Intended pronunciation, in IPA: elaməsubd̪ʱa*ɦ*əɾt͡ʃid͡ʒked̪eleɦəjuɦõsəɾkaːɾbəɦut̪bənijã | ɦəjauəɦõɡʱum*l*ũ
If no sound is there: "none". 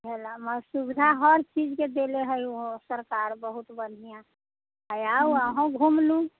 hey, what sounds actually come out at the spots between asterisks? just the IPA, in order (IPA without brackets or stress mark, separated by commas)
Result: ɦ, l